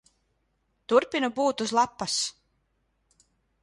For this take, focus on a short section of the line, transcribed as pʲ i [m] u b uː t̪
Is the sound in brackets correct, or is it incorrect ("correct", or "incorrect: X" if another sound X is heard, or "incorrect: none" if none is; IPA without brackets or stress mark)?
incorrect: n